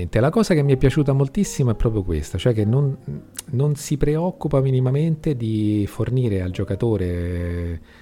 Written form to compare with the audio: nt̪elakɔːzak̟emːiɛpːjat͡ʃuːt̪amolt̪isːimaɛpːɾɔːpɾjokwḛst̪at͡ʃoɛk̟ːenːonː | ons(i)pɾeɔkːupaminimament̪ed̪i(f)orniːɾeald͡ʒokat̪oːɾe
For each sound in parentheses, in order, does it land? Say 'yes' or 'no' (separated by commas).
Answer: yes, yes